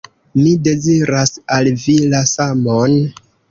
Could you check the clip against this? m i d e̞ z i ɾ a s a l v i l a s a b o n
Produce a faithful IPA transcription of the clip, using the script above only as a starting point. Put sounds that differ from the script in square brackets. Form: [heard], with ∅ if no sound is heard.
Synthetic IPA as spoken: m i d e̞ z i ɾ a s a l v i l a s a [m] o n